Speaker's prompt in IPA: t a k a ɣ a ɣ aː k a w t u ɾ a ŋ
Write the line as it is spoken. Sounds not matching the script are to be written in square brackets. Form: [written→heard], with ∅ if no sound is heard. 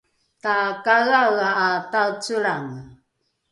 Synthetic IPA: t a k a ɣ a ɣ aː [k→t] a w [t→t͡s] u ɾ a ŋ